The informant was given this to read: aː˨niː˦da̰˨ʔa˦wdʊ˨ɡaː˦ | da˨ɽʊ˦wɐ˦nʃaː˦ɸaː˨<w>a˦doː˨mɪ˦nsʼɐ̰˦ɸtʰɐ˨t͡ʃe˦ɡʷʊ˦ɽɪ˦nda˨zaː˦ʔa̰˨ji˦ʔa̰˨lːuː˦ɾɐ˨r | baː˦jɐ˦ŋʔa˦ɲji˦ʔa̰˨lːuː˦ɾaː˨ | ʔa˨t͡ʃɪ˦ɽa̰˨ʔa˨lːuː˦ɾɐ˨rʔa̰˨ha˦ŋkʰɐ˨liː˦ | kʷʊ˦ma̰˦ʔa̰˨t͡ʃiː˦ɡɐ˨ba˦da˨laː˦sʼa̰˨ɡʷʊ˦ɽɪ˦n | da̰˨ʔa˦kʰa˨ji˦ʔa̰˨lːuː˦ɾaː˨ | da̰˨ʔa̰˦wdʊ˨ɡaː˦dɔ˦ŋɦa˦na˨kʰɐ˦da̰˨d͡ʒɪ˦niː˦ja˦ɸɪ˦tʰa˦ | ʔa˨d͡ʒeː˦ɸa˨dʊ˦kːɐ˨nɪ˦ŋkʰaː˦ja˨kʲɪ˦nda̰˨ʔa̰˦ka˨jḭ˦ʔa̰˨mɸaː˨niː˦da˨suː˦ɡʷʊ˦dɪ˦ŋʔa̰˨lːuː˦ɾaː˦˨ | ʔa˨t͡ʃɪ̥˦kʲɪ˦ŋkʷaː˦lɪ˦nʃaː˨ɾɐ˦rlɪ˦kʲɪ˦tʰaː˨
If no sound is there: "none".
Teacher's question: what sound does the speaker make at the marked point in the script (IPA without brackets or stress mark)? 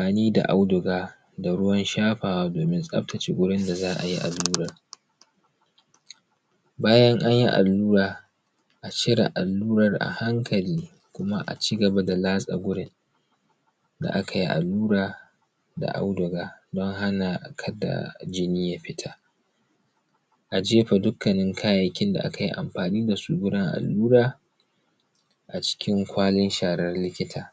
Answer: w